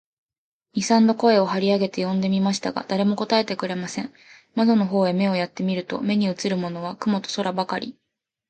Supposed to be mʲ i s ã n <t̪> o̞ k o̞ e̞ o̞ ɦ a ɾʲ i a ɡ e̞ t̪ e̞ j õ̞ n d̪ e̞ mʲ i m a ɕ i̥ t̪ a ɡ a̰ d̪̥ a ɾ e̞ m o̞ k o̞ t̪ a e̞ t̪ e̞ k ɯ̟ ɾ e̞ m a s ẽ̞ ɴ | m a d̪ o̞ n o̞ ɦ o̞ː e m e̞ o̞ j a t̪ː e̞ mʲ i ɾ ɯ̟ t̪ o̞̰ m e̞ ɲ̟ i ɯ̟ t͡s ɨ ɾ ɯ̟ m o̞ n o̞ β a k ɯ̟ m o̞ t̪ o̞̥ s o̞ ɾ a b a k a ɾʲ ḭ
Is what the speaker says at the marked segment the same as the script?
no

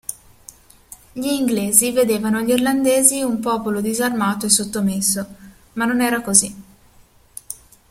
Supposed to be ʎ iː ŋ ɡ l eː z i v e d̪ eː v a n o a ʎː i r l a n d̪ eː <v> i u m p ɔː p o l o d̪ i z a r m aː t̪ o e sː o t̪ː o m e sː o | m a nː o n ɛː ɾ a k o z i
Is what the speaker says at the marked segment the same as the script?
no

